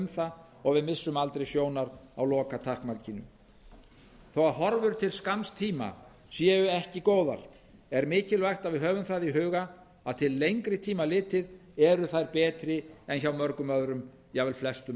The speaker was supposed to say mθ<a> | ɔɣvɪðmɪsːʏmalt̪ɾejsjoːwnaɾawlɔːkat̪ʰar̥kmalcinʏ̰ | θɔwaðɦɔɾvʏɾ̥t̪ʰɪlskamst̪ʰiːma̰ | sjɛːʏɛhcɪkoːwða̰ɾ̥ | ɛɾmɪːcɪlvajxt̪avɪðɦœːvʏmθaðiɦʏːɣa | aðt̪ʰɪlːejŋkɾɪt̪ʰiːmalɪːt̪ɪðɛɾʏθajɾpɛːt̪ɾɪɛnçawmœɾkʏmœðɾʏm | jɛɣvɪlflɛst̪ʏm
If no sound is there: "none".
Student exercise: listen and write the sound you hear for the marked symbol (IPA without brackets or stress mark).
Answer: a